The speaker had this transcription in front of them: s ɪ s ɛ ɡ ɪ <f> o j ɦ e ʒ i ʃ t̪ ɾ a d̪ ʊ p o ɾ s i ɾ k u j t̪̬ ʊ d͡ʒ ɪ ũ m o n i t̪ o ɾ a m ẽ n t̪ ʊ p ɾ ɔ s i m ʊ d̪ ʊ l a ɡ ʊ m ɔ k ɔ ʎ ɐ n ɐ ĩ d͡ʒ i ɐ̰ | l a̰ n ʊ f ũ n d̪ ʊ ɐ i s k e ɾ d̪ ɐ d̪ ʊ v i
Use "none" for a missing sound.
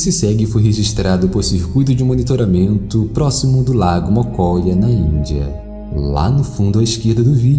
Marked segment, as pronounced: f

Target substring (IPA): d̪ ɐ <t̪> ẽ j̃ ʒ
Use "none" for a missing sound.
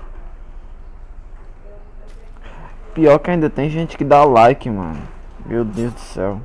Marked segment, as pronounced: t̪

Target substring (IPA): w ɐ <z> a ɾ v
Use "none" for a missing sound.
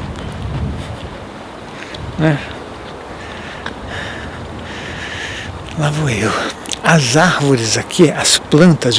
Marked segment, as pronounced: z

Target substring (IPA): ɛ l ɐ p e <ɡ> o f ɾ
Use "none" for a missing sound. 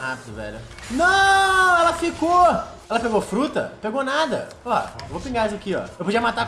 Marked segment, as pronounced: ɡ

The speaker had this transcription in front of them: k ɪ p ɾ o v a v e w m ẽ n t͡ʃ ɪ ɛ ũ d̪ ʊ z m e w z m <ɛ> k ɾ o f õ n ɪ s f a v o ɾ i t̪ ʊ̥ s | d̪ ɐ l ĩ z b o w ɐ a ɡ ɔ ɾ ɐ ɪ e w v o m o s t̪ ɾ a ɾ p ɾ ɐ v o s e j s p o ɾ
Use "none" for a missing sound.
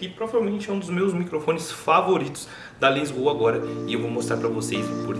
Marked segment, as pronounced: i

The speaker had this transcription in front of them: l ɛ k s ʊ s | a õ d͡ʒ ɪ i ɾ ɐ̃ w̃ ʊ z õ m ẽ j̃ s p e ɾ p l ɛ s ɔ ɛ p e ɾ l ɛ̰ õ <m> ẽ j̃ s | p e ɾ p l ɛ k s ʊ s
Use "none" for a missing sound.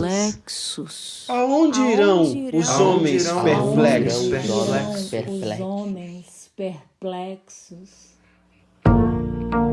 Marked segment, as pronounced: m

